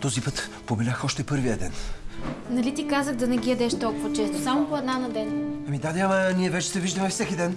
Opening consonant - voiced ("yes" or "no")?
no